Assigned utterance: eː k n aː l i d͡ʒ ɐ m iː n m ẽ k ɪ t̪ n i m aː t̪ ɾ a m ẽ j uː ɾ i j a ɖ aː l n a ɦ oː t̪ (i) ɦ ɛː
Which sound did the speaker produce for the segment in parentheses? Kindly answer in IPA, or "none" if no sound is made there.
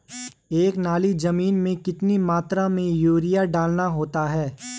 a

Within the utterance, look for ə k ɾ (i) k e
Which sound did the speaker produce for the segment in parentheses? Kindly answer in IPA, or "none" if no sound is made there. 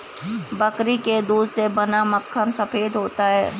i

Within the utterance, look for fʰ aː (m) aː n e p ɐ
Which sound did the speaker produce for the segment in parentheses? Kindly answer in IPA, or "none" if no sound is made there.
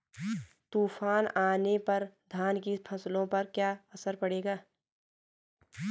n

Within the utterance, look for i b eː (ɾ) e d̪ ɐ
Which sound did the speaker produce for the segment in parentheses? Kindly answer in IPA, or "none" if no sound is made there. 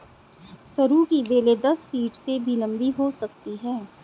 l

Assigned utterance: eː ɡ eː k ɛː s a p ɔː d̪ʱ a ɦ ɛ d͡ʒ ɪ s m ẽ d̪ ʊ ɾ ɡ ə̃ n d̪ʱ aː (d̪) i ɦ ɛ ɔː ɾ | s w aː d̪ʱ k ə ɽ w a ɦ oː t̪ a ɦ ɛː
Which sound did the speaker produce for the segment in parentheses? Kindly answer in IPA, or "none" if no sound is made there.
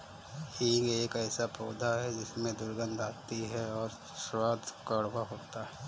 t̪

